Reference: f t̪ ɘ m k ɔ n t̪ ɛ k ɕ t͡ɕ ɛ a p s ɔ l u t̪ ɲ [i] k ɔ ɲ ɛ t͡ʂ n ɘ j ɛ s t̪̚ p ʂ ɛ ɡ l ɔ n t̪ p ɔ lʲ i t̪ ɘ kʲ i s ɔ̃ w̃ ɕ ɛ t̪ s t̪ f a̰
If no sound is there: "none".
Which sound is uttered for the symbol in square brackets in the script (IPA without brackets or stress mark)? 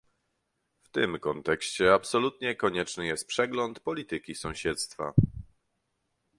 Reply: ɛ